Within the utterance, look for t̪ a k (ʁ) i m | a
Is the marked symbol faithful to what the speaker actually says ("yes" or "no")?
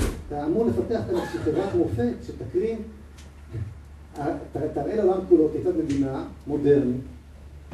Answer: yes